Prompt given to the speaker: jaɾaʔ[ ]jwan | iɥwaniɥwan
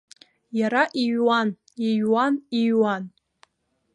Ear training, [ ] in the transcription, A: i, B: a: A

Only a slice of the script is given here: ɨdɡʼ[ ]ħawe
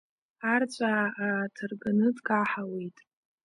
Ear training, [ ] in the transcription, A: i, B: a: B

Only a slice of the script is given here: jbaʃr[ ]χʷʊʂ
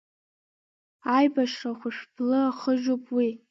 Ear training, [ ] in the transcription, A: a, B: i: A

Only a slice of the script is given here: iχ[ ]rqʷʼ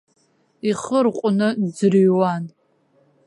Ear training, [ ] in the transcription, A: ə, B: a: A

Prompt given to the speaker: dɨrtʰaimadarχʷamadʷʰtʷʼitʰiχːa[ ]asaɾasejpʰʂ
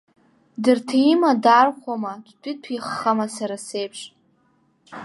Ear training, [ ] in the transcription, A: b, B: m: B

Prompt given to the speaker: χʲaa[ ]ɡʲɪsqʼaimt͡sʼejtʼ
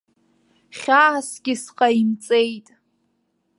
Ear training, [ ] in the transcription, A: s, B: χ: A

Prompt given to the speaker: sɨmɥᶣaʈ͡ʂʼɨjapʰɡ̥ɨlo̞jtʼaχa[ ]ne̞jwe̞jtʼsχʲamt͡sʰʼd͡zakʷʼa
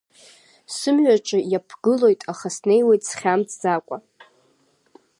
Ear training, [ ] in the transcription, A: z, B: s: B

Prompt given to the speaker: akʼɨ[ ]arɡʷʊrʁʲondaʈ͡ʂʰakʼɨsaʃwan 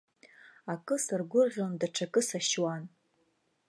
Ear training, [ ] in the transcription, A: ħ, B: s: B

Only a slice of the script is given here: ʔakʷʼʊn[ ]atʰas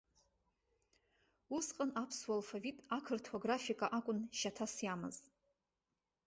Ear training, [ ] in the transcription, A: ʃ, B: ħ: A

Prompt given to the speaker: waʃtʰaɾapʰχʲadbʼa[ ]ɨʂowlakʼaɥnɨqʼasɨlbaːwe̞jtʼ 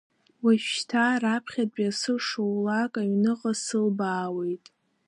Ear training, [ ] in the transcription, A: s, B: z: A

